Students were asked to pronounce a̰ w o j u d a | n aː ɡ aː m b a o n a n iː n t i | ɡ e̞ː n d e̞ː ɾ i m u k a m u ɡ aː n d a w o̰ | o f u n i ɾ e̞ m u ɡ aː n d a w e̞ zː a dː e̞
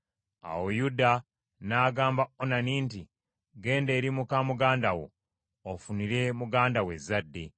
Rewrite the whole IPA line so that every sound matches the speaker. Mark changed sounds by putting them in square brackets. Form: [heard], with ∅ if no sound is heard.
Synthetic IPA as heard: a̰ w o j u d a | n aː ɡ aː m b a o n a n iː n t i | ɡ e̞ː n d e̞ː ɾ i m u k a m u ɡ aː n d a w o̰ | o f u n i ɾ e̞ m u ɡ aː n d a w e̞ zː a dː e̞